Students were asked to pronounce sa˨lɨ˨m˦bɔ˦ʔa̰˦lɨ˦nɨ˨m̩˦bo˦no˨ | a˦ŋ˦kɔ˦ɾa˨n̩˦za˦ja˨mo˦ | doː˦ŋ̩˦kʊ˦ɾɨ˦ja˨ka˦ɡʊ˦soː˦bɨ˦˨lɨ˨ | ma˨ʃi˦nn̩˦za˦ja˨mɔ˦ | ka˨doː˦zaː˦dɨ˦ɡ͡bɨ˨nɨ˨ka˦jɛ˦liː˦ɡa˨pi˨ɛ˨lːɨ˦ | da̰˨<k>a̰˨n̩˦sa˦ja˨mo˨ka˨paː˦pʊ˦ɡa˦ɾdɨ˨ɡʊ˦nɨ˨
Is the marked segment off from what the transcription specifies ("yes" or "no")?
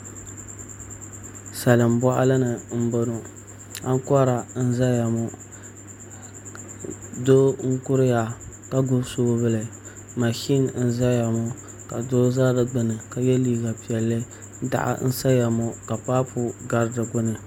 yes